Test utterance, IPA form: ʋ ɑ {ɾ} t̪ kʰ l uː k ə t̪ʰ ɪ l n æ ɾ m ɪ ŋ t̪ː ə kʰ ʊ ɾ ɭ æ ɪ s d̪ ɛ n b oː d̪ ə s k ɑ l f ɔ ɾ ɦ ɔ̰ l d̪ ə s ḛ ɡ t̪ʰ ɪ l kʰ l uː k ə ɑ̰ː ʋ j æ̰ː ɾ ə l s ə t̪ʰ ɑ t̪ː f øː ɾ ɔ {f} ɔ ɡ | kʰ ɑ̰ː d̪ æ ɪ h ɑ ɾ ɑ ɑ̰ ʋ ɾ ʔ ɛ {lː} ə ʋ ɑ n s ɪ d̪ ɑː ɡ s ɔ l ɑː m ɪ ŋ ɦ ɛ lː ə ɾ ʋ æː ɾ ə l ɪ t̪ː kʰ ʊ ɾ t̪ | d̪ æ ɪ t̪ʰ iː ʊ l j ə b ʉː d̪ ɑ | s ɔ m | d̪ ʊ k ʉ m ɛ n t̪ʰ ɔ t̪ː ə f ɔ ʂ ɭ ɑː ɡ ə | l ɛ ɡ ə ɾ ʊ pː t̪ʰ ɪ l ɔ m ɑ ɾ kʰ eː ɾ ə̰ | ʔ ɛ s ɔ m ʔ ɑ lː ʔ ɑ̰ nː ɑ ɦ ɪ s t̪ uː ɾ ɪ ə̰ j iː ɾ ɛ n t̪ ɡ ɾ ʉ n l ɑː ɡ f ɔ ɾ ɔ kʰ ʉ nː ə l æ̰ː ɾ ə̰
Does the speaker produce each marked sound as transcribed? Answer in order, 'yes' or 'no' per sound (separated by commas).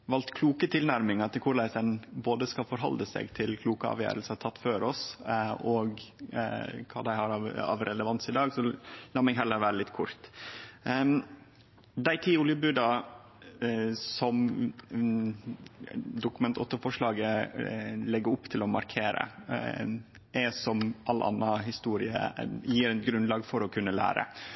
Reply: no, no, no